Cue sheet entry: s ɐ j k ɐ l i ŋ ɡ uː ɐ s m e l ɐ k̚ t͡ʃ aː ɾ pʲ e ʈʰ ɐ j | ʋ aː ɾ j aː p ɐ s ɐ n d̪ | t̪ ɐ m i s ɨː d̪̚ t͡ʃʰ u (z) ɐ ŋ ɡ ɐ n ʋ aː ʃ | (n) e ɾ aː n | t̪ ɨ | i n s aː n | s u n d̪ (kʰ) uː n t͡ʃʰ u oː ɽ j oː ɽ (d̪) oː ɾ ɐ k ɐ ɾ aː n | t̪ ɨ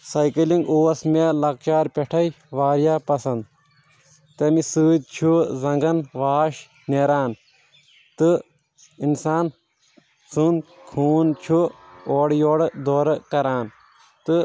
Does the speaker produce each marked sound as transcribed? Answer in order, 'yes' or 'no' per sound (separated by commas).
yes, yes, yes, yes